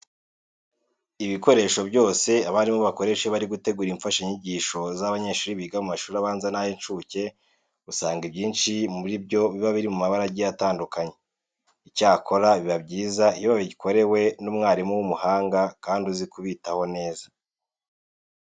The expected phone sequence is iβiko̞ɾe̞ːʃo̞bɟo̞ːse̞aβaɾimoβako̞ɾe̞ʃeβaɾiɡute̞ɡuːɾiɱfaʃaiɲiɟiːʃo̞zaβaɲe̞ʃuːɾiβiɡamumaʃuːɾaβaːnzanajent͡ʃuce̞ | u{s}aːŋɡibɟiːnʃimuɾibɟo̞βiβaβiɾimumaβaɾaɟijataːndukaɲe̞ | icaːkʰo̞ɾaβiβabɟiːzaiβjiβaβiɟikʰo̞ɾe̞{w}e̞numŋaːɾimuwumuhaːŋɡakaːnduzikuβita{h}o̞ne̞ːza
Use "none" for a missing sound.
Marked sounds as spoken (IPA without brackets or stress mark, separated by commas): s, w, h